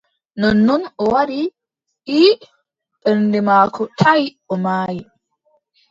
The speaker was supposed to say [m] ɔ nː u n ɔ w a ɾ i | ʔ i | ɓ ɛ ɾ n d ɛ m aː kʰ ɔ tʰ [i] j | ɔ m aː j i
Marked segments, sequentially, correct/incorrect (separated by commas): incorrect, incorrect